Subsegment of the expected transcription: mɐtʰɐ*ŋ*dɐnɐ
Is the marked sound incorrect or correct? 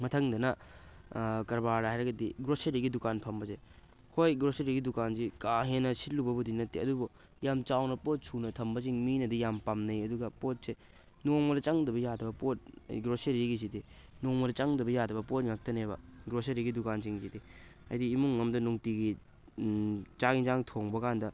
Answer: correct